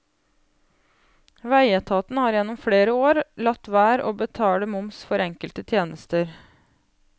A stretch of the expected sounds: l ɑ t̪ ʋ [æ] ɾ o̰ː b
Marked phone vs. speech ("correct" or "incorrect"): incorrect